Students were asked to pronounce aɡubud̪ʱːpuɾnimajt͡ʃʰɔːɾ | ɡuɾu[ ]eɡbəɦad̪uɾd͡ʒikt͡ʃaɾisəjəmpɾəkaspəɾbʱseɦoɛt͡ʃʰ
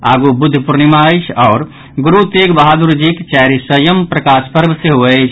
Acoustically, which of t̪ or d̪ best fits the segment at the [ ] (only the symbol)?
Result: t̪